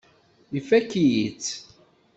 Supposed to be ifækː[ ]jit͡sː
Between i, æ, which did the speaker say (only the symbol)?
i